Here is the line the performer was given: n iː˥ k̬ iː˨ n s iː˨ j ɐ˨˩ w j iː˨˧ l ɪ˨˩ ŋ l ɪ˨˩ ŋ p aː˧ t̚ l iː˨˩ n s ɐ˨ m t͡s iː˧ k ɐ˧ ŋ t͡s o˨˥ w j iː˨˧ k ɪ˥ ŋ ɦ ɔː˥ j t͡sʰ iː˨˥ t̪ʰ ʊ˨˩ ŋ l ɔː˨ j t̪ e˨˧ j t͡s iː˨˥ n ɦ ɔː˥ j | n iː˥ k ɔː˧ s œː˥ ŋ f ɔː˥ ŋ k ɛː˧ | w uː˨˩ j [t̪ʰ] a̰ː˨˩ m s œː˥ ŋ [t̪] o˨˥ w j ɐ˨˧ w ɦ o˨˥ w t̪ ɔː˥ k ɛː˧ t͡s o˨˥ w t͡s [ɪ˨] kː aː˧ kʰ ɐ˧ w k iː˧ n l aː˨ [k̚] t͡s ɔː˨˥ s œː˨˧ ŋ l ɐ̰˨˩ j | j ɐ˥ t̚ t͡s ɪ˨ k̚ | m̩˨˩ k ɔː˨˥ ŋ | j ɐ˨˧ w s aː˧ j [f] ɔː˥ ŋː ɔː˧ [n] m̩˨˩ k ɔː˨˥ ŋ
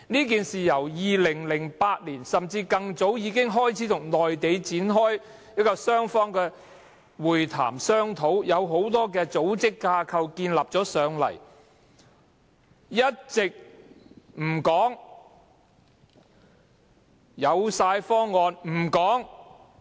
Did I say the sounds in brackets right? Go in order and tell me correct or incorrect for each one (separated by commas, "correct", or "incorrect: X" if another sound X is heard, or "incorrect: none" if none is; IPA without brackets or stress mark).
correct, incorrect: t̪ʰ, incorrect: ɪ˥, incorrect: p̚, correct, correct